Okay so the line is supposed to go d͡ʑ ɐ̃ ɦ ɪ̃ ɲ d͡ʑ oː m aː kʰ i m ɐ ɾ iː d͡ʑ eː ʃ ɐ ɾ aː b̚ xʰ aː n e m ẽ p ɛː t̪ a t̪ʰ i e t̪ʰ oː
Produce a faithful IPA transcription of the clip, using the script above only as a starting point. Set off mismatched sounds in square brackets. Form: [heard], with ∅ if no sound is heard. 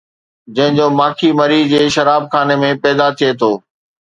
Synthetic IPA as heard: d͡ʑ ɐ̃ ɦ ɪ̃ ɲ d͡ʑ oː m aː kʰ i m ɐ ɾ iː d͡ʑ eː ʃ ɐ ɾ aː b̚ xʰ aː n e m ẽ p ɛː [d̪] a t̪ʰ i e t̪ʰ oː

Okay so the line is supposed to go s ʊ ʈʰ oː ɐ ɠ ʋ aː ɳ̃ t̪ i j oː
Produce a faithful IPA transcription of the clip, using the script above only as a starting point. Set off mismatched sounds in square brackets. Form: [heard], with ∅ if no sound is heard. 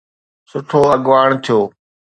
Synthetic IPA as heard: s ʊ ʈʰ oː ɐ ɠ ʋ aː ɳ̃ [t̪ʰ] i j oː

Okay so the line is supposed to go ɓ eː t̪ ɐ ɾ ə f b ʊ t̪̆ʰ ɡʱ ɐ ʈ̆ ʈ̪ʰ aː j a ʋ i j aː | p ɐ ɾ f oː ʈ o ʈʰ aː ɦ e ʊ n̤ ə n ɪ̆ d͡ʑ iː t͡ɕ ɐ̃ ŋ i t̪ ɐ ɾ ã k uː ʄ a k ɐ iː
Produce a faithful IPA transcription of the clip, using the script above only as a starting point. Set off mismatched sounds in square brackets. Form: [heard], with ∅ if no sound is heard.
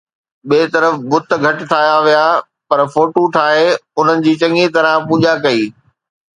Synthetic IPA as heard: ɓ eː t̪ ɐ ɾ ə f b ʊ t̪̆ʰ ɡʱ ɐ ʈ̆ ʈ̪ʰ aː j a ʋ i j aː | p ɐ ɾ f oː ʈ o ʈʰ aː ɦ e ʊ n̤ ə n ɪ̆ d͡ʑ iː t͡ɕ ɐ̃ ŋ i t̪ ɐ ɾ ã [p] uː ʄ a k ɐ iː

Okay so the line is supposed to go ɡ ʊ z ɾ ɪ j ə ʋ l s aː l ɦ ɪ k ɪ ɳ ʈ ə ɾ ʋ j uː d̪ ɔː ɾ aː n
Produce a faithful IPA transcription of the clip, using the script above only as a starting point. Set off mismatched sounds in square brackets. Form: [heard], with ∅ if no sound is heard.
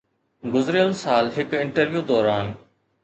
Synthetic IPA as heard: ɡ ʊ z ɾ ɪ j ə [∅] l s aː l ɦ ɪ k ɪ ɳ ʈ ə ɾ ʋ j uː d̪ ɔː ɾ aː n

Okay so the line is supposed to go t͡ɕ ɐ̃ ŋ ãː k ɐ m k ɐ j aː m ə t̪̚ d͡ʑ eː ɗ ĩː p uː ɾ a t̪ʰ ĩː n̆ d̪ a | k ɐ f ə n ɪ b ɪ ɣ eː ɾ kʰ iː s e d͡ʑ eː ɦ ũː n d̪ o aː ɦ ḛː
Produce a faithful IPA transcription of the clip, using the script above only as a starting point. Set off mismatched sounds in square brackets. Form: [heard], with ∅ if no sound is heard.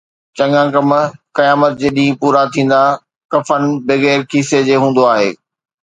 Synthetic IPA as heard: t͡ɕ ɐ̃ ŋ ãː k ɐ m k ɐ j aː m ə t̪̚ d͡ʑ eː ɗ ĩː p uː ɾ a t̪ʰ ĩː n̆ d̪ a | k ɐ f ə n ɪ b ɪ ɣ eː ɾ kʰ iː s e d͡ʑ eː ɦ ũː n d̪ o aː ɦ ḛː

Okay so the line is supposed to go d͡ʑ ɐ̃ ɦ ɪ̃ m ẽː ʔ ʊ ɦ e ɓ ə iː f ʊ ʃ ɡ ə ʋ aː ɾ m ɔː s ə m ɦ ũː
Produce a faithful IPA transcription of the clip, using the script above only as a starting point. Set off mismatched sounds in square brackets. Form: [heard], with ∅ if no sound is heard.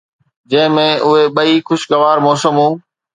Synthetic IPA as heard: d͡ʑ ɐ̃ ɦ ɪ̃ m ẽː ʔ ʊ ɦ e ɓ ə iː [x] ʊ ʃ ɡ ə ʋ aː ɾ m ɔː s ə m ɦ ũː

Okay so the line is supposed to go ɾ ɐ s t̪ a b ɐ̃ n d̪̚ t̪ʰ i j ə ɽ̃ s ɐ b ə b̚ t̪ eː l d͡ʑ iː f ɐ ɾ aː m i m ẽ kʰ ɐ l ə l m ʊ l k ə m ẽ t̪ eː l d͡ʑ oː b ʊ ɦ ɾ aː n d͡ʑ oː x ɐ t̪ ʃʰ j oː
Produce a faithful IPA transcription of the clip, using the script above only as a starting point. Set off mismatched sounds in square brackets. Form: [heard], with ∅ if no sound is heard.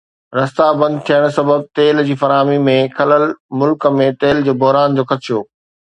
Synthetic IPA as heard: ɾ ɐ s t̪ a b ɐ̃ n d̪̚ t̪ʰ i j ə ɽ̃ s ɐ b ə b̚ t̪ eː l d͡ʑ iː f ɐ ɾ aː m i m ẽ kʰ ɐ l ə l m ʊ l k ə m ẽ t̪ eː l d͡ʑ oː b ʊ ɦ ɾ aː n d͡ʑ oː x ɐ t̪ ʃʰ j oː

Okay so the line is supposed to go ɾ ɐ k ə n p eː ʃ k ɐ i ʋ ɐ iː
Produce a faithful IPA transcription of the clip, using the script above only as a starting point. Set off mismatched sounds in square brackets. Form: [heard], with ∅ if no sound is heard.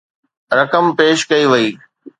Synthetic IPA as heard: ɾ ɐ k ə [m] p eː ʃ k ɐ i ʋ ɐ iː

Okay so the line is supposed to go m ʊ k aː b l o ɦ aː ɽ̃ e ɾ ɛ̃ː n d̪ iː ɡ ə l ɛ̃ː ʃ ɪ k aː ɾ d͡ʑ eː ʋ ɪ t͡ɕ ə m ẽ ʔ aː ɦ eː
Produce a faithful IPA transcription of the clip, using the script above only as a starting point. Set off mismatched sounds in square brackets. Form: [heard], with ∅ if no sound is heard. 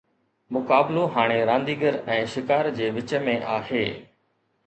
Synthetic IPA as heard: m ʊ k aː b l o ɦ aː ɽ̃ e ɾ [ãː] n d̪ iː ɡ ə [ɾ] ɛ̃ː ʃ ɪ k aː ɾ d͡ʑ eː ʋ ɪ t͡ɕ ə m ẽ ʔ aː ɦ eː

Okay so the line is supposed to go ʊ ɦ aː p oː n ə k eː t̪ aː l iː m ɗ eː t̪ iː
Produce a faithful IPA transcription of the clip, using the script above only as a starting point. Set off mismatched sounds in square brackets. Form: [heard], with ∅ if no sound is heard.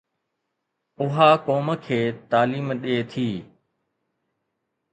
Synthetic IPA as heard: ʊ ɦ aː [k] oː [m] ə [kʰ] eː t̪ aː l iː m ɗ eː [t̪ʰ] iː

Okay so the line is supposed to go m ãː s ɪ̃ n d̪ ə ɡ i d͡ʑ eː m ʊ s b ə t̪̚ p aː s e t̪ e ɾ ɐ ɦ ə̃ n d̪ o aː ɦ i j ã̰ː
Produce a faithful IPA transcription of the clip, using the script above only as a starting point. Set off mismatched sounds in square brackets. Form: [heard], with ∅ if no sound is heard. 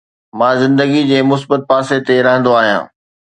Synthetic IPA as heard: m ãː [z] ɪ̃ n d̪ ə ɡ i d͡ʑ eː m ʊ s b ə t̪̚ p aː s e t̪ e ɾ ɐ ɦ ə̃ n d̪ o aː ɦ i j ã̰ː

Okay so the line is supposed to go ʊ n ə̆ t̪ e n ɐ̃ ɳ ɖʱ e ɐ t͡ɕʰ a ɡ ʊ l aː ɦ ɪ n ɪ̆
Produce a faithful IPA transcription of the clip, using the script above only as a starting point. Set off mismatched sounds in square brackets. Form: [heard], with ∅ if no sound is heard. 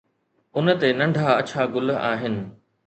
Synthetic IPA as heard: ʊ n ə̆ t̪ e n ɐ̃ ɳ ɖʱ [a] ɐ t͡ɕʰ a ɡ ʊ l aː ɦ ɪ n ɪ̆

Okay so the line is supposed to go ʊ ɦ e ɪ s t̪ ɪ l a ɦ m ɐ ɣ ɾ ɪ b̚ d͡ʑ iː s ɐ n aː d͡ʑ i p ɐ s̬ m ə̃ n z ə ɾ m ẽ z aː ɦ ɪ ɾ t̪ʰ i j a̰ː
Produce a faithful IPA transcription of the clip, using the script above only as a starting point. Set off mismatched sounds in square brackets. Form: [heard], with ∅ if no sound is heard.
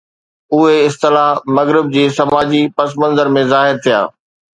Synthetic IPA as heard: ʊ ɦ e ɪ s t̪ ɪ l a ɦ m ɐ ɣ ɾ ɪ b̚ d͡ʑ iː s ɐ [m] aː d͡ʑ i p ɐ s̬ m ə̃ n z ə ɾ m ẽ z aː ɦ ɪ ɾ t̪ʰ i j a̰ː

